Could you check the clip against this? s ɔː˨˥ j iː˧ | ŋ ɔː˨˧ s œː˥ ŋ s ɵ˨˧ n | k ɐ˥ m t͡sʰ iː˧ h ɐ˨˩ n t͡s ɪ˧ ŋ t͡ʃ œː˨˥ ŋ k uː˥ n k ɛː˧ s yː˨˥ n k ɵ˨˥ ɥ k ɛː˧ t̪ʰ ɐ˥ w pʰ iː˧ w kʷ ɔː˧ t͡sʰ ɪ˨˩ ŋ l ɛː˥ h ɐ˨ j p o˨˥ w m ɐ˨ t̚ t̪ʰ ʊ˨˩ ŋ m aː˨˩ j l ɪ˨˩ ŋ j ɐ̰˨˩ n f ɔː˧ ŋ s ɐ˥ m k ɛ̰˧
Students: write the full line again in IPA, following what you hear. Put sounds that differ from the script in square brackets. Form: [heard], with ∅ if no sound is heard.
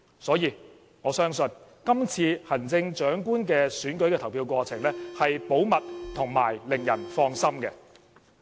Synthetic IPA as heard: s ɔː˨˥ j iː˧ | ŋ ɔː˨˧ s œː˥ ŋ s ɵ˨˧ n | k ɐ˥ m t͡sʰ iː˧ h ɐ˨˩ n t͡s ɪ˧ ŋ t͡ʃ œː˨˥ ŋ k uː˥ n k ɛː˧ s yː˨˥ n k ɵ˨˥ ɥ k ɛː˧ t̪ʰ [ɐ˨˩] w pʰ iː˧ w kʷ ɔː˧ t͡sʰ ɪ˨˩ ŋ l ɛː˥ h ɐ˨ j p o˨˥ w m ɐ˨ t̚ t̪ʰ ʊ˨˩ ŋ m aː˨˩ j l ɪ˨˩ ŋ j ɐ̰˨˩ n f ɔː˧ ŋ s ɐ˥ m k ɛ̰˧